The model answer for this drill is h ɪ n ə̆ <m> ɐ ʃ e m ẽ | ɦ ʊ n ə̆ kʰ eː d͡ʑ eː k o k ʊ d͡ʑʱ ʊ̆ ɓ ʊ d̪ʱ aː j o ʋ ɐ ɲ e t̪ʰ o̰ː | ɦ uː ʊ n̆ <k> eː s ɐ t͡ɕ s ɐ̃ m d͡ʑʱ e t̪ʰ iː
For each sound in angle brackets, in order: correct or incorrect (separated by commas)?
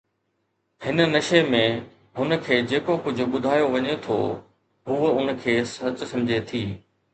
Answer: incorrect, incorrect